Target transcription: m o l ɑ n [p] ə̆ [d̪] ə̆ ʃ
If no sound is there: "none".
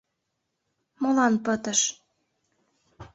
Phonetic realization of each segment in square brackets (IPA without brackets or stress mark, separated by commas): p, t̪